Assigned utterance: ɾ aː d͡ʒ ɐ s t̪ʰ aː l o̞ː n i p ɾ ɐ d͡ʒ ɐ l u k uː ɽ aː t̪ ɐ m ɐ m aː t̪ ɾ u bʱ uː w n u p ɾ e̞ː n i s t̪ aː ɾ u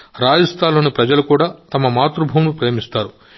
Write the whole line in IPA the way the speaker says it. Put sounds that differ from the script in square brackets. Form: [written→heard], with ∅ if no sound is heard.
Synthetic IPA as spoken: ɾ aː d͡ʒ ɐ s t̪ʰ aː l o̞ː n i p ɾ ɐ d͡ʒ ɐ l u k uː ɽ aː t̪ ɐ m ɐ m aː t̪ ɾ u bʱ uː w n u p ɾ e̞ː [n→m] i s t̪ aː ɾ u